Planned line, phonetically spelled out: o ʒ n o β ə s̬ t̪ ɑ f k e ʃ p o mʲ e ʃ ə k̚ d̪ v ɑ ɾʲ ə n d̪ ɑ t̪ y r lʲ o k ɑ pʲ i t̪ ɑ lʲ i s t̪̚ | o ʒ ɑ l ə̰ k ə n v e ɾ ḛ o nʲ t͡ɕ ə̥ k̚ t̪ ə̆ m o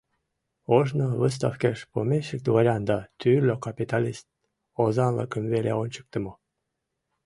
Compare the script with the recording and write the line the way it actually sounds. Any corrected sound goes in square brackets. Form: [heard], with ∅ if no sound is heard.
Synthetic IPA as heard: o ʒ n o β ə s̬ t̪ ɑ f k e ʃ p o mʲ e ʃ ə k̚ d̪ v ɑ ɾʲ [ɑ] n d̪ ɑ t̪ y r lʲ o k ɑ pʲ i t̪ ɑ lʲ i s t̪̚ | o [z] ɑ l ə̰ k ə [m] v e [l] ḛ o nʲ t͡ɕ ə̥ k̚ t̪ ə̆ m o